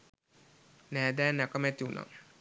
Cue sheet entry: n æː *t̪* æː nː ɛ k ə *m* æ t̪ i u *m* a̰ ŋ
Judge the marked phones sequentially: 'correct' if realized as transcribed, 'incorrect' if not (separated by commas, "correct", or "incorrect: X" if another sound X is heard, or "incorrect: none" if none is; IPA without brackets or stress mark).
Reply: incorrect: d̪, correct, incorrect: n